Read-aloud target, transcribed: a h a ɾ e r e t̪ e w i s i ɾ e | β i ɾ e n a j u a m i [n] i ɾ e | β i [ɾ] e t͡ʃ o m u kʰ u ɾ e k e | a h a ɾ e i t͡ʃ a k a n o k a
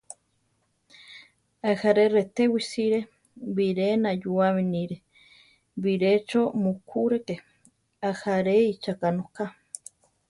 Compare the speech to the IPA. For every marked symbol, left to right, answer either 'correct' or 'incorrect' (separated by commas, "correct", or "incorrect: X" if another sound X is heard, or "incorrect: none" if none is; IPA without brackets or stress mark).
correct, correct